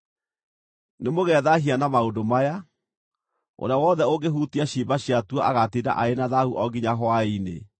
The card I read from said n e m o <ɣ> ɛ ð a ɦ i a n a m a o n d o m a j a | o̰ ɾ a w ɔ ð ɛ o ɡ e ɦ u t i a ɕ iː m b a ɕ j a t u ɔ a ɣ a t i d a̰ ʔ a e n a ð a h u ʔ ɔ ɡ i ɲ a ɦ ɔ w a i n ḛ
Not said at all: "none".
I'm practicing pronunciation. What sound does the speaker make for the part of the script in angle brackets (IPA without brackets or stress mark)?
ɣ